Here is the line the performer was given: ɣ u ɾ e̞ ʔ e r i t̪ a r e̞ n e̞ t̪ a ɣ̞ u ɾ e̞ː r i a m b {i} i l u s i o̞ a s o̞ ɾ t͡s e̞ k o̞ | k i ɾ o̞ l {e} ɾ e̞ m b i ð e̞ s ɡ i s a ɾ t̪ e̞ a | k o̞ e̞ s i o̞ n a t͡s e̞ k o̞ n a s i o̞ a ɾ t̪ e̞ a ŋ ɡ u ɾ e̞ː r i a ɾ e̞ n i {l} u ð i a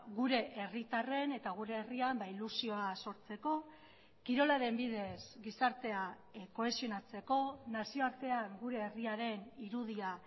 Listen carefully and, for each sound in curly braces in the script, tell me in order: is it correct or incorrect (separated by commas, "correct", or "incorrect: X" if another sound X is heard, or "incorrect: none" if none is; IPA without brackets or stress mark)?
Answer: incorrect: a, incorrect: a, incorrect: ɾ